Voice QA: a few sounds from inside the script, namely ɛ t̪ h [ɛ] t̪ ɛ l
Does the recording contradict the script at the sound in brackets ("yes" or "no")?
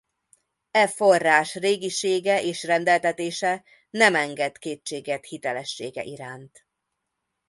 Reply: yes